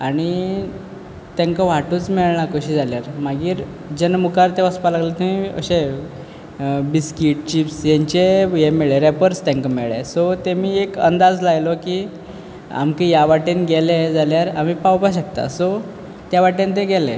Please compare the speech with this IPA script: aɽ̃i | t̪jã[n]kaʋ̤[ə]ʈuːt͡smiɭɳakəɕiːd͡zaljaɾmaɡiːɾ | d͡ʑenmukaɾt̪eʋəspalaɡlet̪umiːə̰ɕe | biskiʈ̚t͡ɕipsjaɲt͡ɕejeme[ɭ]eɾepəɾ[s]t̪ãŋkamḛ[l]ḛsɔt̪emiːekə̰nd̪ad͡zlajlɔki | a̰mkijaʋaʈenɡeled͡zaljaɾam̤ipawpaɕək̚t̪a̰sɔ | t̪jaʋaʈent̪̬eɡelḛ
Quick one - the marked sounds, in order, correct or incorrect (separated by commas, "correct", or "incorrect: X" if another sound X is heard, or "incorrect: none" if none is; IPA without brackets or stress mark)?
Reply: incorrect: ŋ, incorrect: a, correct, correct, incorrect: ɭ